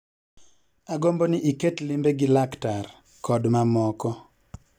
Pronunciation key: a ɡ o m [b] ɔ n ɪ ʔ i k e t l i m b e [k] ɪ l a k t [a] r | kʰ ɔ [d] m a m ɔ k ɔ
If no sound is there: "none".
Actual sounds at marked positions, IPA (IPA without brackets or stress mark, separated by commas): b, ɡ, a, d